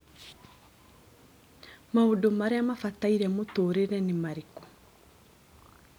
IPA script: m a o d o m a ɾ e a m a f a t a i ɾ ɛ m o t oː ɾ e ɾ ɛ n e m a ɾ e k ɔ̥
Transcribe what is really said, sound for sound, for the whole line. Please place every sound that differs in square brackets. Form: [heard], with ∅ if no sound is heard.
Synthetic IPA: m a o d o m a ɾ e a m a f a t a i ɾ ɛ m o t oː ɾ e ɾ ɛ n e m a ɾ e k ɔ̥